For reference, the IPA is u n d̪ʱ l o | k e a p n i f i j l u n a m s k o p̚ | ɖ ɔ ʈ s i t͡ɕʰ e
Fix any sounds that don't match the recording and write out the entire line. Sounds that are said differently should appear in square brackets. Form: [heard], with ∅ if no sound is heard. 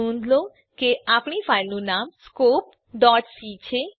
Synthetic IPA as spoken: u n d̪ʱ l o | k e a p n i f [a] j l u n a m s k o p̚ | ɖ ɔ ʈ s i t͡ɕʰ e